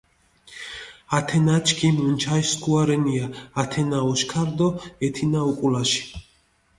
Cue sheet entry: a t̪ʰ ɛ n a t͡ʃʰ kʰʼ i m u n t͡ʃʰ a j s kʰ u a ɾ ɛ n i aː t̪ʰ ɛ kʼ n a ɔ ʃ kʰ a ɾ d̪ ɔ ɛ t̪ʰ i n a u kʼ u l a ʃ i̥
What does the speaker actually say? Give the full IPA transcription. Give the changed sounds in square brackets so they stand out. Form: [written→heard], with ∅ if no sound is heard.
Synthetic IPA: a t̪ʰ ɛ n a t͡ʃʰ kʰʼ i m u n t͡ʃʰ a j s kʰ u a ɾ ɛ n i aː t̪ʰ ɛ [kʼ→∅] n a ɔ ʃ kʰ a ɾ d̪ ɔ ɛ t̪ʰ i n a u kʼ u l a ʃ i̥